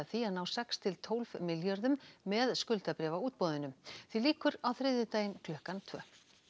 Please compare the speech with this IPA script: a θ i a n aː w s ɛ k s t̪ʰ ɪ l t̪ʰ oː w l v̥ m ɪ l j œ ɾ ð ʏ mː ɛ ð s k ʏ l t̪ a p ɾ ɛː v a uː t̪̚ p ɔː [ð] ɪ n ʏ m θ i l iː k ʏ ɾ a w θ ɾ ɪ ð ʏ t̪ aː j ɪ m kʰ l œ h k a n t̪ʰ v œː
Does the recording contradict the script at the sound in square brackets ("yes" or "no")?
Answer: no